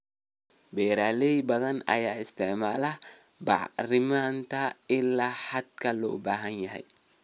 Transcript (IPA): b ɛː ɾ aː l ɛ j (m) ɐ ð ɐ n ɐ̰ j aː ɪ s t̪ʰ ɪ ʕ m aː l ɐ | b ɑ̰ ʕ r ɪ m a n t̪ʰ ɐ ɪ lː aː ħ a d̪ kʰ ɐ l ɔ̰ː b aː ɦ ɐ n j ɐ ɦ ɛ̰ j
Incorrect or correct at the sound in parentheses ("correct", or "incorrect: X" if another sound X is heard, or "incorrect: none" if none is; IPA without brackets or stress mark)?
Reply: incorrect: b